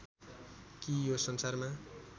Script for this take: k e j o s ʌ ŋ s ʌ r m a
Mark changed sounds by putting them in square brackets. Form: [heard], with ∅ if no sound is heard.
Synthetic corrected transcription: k [i] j o s ʌ [n] s [a] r m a